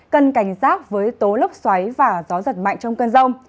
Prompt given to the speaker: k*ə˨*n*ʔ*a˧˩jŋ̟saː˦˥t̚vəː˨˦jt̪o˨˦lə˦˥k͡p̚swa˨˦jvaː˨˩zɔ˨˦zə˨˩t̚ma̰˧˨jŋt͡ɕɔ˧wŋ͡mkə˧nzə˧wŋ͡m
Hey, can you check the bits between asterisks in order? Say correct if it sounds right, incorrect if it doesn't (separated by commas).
correct, incorrect